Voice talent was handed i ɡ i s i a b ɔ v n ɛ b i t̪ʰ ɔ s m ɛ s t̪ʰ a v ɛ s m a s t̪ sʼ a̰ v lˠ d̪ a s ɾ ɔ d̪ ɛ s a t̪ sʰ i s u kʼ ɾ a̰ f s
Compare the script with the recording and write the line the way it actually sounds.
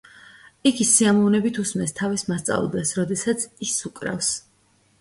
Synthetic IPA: i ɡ i s i a m ɔ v n ɛ b i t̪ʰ u s m ɛ s t̪ʰ a v i s m a s t̪ sʼ a̰ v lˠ d̪ ɛ s ɾ ɔ d̪ ɛ s a t̪ sʰ i s u kʼ ɾ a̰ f s